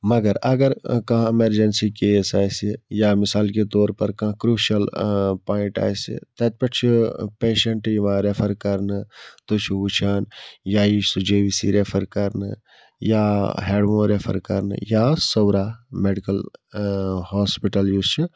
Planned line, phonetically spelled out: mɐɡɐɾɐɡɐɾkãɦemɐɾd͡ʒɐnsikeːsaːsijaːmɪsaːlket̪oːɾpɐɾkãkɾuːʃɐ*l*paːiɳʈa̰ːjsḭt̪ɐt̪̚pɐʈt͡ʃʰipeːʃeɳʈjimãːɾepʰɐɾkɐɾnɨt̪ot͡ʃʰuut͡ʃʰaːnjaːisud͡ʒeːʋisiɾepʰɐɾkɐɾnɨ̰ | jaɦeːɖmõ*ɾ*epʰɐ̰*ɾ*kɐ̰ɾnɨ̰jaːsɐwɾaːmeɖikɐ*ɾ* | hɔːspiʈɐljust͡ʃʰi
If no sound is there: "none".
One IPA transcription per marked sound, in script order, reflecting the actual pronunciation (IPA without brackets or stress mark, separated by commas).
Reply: l, ɾ, ɾ, l